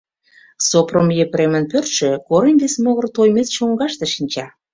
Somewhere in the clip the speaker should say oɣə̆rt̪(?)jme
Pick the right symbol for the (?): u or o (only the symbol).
o